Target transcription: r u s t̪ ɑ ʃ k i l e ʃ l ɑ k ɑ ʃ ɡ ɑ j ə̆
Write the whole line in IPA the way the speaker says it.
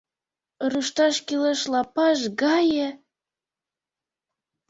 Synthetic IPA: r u ʃ t̪ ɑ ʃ k i l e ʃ l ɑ p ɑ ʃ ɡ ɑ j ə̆